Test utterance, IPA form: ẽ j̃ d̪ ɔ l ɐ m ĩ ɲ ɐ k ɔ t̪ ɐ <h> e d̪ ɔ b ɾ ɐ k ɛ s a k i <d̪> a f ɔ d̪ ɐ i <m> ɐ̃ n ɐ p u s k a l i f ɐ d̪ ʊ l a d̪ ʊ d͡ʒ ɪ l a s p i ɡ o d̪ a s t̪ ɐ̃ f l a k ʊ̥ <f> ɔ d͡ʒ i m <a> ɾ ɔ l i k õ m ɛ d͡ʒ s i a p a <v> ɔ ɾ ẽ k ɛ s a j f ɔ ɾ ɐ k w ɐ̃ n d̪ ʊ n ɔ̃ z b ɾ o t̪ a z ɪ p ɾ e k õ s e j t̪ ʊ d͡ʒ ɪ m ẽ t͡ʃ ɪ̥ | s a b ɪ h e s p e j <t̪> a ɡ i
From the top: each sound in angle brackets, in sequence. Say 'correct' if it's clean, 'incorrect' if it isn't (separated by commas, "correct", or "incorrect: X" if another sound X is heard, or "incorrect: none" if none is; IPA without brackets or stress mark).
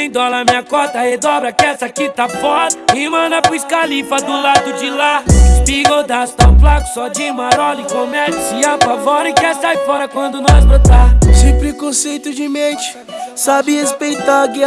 correct, incorrect: t̪, correct, incorrect: s, correct, correct, correct